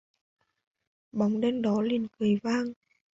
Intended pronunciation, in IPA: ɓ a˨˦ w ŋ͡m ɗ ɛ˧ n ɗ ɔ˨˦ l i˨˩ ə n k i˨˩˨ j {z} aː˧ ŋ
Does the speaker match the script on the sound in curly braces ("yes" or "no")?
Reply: no